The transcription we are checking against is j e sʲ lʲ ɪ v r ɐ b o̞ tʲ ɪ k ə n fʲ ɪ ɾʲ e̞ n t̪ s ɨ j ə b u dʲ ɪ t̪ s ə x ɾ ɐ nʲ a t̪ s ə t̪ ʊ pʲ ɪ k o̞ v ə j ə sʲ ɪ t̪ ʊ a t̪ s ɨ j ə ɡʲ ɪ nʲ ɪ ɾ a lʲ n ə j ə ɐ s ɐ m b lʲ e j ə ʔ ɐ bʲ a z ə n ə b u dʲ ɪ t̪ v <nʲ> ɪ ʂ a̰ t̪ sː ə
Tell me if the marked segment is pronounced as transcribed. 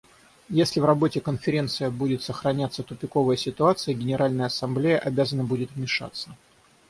no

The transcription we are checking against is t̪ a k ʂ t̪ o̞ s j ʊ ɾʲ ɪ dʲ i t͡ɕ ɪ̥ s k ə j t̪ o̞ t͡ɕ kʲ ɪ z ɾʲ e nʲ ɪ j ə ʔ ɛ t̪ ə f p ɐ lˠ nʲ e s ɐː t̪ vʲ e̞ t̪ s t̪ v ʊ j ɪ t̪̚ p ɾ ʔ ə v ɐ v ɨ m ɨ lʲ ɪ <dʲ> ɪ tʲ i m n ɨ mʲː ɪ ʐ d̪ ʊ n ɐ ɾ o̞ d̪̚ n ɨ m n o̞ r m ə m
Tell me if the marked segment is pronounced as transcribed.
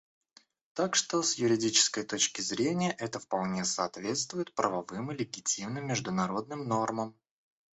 no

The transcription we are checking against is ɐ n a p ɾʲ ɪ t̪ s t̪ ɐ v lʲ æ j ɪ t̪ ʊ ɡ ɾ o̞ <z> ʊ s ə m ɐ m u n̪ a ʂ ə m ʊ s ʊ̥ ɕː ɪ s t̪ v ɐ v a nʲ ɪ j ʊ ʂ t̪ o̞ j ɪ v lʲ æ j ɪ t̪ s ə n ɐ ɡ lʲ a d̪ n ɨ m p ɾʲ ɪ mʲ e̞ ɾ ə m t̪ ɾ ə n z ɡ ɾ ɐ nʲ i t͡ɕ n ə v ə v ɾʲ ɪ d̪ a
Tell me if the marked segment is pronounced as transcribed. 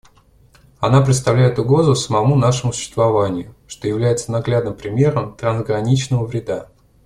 yes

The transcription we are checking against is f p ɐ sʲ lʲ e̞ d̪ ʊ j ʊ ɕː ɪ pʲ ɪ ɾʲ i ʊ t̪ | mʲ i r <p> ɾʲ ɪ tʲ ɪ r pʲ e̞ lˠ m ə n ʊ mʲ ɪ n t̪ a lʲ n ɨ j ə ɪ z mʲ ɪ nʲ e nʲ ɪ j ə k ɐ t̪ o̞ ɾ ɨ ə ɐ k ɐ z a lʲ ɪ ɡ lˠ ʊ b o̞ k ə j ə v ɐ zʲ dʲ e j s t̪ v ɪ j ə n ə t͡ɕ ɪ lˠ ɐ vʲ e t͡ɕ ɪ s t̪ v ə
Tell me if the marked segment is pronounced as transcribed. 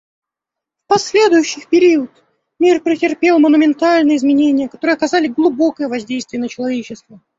yes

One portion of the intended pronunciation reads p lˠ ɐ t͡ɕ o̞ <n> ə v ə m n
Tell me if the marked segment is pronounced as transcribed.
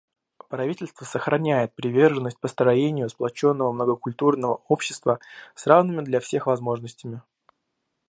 no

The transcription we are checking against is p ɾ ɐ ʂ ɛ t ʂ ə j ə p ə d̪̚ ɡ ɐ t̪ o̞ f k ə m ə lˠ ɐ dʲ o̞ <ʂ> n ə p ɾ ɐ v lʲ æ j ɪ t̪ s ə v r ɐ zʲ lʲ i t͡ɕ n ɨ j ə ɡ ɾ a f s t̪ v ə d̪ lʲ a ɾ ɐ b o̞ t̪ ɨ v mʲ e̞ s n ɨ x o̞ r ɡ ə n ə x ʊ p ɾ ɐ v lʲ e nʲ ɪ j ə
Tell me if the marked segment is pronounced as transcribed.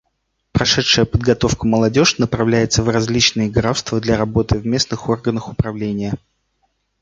yes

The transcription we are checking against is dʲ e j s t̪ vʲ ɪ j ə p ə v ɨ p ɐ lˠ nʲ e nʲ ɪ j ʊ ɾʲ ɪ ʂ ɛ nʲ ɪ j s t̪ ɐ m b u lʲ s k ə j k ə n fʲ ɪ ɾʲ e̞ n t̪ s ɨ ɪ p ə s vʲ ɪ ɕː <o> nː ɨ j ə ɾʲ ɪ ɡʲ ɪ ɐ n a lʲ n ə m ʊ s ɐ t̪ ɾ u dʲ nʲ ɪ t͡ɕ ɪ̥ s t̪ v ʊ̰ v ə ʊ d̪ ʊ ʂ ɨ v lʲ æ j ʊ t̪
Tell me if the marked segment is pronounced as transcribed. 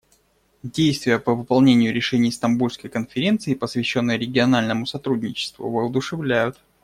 yes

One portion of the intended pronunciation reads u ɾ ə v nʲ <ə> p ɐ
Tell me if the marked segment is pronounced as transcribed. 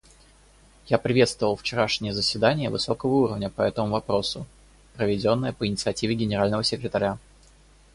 yes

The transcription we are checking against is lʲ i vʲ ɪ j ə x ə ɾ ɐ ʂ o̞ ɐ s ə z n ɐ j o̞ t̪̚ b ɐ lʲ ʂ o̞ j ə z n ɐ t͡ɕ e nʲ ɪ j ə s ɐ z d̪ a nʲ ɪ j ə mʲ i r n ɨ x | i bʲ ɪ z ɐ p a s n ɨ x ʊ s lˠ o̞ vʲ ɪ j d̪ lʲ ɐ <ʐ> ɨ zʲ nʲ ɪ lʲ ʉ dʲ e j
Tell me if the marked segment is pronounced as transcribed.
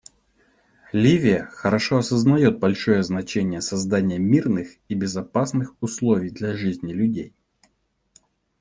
yes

